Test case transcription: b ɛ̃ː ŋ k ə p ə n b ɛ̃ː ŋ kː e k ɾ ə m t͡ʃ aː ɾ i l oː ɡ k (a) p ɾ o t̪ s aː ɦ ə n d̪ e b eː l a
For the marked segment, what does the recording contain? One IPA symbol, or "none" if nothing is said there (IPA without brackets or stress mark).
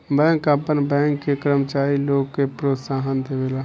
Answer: e